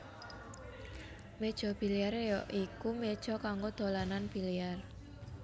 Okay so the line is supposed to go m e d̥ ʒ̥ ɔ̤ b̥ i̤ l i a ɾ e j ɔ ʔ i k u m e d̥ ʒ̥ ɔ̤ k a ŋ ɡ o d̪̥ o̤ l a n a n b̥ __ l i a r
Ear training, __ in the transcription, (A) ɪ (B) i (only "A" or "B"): B